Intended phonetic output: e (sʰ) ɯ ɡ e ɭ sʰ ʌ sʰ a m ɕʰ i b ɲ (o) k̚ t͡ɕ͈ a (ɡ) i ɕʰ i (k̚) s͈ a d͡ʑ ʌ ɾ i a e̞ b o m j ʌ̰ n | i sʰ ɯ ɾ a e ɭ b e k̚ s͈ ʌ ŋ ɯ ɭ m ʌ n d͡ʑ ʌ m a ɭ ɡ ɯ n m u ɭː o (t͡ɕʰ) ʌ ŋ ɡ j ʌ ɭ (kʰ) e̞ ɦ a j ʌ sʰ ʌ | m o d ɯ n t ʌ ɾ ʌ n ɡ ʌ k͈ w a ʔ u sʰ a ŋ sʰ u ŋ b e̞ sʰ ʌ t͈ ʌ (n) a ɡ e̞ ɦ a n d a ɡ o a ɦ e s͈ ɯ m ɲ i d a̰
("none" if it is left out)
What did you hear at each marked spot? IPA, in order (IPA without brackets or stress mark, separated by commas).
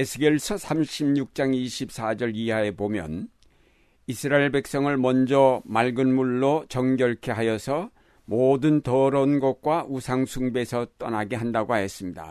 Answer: sʰ, u, ŋ, p̚, t͡ɕ, kʰ, n